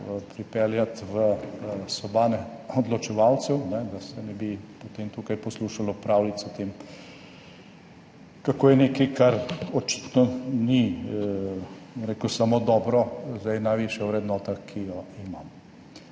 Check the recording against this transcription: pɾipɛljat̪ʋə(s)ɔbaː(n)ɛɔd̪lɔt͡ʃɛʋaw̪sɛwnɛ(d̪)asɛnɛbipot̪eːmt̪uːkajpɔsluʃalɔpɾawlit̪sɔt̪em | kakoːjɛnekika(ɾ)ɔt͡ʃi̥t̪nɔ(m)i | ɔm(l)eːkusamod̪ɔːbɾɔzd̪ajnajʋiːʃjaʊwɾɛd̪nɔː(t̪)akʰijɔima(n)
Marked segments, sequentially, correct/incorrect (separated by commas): correct, correct, correct, correct, incorrect, incorrect, correct, incorrect